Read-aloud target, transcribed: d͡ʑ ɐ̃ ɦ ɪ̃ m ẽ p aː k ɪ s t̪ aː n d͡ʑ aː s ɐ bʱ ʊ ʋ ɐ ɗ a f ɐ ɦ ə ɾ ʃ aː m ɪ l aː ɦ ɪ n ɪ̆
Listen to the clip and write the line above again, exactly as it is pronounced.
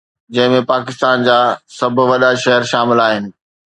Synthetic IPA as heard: d͡ʑ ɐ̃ ɦ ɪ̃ m ẽ p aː k ɪ s t̪ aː n d͡ʑ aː s ɐ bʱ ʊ ʋ ɐ ɗ a ʃ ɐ ɦ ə ɾ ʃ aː m ɪ l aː ɦ ɪ n ɪ̆

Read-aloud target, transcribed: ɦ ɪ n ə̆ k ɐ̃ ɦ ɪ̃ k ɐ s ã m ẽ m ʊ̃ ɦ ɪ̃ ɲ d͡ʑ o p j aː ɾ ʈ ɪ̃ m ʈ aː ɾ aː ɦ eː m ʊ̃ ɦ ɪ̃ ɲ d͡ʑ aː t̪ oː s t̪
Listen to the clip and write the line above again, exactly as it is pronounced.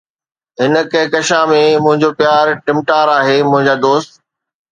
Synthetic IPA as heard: ɦ ɪ n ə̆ k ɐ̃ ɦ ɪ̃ k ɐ ʃ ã m ẽ m ʊ̃ ɦ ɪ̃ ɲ d͡ʑ o p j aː ɾ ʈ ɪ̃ m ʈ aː ɾ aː ɦ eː m ʊ̃ ɦ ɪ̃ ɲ d͡ʑ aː d̪ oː s t̪

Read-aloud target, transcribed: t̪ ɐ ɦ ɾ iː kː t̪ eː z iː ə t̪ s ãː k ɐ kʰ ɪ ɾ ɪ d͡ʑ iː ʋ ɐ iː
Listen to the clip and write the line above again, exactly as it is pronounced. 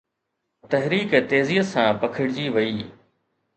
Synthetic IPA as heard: t̪ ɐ ɦ ɾ iː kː t̪ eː z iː ə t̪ s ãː p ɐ kʰ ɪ ɽ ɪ d͡ʑ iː ʋ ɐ iː

